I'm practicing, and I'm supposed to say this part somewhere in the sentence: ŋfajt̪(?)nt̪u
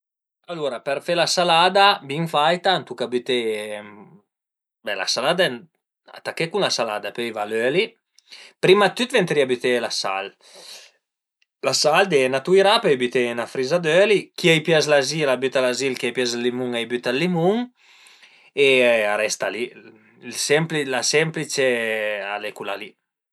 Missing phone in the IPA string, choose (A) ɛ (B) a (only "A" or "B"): B